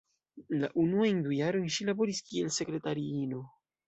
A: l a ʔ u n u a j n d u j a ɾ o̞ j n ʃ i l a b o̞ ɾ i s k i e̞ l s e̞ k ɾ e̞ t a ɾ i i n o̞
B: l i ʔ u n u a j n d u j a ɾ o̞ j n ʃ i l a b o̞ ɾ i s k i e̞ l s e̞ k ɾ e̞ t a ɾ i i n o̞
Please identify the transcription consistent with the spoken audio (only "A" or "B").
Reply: A